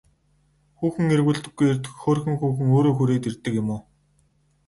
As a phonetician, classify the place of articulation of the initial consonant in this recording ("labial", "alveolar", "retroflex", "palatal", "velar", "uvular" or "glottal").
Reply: velar